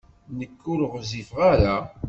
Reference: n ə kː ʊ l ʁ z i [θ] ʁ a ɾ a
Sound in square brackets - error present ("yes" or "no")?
yes